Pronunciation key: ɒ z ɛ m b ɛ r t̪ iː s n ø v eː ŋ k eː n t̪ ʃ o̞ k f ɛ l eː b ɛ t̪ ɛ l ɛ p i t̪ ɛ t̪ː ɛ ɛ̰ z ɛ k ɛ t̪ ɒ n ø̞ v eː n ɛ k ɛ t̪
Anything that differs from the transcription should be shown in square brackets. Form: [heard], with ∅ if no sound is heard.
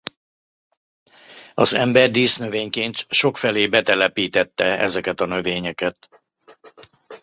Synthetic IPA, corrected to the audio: ɒ z ɛ m b ɛ r [d̪] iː s n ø v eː [ɲ] k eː n t̪ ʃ o̞ k f ɛ l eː b ɛ t̪ ɛ l ɛ p [iː] t̪ ɛ t̪ː ɛ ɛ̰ z ɛ k ɛ t̪ ɒ n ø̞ v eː [ɲ] ɛ k ɛ t̪